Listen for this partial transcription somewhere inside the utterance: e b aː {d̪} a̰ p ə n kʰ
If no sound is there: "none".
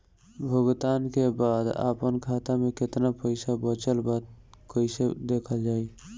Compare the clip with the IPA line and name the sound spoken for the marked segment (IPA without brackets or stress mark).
d̪